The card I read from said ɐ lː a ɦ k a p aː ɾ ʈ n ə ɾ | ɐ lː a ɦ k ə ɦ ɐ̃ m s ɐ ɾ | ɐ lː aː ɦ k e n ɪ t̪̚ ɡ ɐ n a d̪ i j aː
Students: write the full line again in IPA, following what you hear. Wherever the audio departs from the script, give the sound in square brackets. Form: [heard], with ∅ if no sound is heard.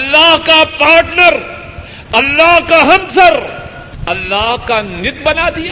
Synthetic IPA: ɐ lː a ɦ k a p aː ɾ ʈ n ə ɾ | ɐ lː a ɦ k [a] ɦ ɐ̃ m s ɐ ɾ | ɐ lː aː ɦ k [a] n ɪ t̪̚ [b] ɐ n a d̪ i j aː